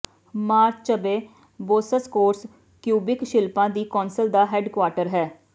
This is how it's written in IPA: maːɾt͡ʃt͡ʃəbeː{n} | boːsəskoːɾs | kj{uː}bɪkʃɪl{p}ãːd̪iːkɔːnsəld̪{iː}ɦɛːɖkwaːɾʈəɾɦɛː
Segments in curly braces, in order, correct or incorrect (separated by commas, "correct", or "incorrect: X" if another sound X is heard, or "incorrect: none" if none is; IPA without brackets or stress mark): incorrect: none, correct, correct, incorrect: aː